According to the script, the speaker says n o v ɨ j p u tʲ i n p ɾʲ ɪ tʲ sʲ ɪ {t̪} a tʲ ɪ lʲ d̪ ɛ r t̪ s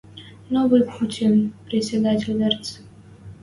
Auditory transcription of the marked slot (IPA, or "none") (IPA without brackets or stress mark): d̪